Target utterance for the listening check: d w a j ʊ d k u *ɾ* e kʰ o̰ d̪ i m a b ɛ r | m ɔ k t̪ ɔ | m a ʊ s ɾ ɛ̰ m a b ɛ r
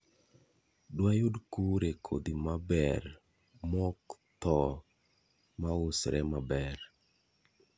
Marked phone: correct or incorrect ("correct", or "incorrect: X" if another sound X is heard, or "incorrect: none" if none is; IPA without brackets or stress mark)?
correct